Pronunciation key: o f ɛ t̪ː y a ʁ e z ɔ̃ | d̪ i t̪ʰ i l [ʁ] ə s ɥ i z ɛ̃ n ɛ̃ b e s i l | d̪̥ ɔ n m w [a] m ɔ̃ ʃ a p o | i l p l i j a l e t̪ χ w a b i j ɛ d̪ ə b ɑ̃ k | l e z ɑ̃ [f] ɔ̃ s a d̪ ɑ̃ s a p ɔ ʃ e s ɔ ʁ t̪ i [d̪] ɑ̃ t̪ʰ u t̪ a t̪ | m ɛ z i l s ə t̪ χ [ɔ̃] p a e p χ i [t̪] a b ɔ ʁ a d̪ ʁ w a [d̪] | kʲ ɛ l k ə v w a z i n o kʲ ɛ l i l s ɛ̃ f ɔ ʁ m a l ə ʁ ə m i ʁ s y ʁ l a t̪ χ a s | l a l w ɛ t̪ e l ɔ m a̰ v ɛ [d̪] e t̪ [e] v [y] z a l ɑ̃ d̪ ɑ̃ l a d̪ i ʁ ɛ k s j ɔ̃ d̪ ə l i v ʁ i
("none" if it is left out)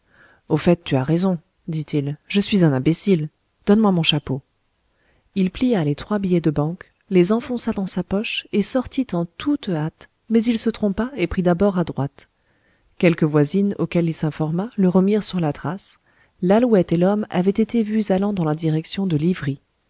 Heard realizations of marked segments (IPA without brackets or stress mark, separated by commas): ʒ, a, f, t̪, ɔ̃, d̪, t̪, t̪, e, y